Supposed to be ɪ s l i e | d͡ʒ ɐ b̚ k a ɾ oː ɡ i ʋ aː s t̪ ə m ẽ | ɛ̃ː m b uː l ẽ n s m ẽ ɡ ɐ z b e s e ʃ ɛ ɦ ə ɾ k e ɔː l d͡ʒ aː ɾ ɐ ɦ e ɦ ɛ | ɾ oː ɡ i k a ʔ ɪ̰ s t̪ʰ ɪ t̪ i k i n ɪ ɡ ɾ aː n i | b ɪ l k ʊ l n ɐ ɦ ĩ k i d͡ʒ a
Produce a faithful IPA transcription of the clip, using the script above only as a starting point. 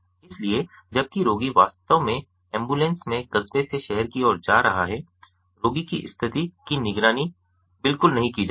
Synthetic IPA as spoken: ɪ s l i e | d͡ʒ ɐ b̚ k i ɾ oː ɡ i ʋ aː s t̪ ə m ẽ | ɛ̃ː m b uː l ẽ n s m ẽ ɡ ɐ z b e s e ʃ ɛ ɦ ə ɾ k i ɔː ɾ d͡ʒ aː ɾ ɐ ɦ a ɦ ɛ | ɾ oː ɡ i k i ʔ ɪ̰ s t̪ʰ ɪ t̪ i k i n ɪ ɡ ɾ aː n i | b ɪ l k ʊ l n ɐ ɦ ĩ k i d͡ʒ a

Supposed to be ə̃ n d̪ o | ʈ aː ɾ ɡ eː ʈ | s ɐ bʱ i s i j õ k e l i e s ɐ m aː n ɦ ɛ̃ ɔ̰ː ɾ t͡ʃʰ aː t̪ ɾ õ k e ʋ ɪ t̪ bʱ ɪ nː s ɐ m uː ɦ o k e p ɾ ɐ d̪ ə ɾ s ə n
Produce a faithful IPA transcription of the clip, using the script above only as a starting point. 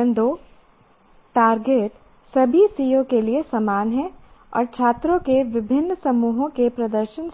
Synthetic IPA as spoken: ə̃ n d̪ o | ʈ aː ɾ ɡ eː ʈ | s ɐ bʱ i s i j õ k e l i e s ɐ m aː n ɦ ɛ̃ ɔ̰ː ɾ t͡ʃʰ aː t̪ ɾ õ k e ʋ ɪ bʱ ɪ nː s ɐ m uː ɦ õ k e p ɾ ɐ d̪ ə ɾ ʃ ə n

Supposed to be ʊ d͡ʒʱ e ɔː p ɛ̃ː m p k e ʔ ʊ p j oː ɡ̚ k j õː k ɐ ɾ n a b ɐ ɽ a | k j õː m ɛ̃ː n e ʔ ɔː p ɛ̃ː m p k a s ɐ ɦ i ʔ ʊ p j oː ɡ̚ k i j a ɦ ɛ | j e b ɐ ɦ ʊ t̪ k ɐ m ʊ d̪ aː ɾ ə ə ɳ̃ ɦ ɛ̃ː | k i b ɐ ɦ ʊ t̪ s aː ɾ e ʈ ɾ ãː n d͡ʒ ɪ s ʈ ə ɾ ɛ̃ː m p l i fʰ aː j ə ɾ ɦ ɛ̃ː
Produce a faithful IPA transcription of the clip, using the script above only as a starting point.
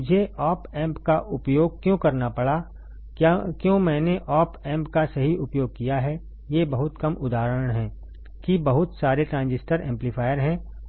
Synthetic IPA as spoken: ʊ d͡ʒʱ e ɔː p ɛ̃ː m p k a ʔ ʊ p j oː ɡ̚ k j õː k ɐ ɾ n a p ɐ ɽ a | k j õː m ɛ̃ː n e ʔ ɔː p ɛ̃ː m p k a s ɐ ɦ i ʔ ʊ p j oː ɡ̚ k i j a ɦ ɛ | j e b ɐ ɦ ʊ t̪ k ɐ m ʊ d̪ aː ɾ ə ə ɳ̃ ɦ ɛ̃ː | k i b ɐ ɦ ʊ t̪ s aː ɾ e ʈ ɾ ãː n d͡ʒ ɪ s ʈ ə ɾ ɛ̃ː m p l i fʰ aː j ə ɾ ɦ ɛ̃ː

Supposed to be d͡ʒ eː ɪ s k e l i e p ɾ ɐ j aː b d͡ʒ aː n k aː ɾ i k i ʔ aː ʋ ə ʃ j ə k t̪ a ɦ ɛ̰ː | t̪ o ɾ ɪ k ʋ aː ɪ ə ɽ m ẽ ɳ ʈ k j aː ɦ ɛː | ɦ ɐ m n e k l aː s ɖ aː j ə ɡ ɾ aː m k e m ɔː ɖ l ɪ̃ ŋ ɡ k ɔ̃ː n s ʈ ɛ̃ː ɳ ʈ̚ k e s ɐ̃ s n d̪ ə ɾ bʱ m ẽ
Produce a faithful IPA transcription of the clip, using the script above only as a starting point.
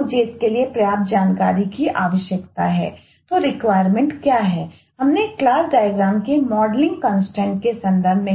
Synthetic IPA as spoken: d͡ʒ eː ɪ s k e l i e p ɾ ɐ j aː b d͡ʒ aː n k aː ɾ i k i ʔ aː ʋ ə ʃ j ə k t̪ a ɦ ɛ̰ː | t̪ o ɾ ɪ k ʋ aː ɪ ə ɾ m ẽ ɳ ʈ k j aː ɦ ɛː | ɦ ɐ m n e k l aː s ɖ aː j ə ɡ ɾ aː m k e m ɔː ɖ l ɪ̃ ŋ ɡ k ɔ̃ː n s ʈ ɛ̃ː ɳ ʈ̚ k e s ɐ̃ n d̪ ə ɾ bʱ m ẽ

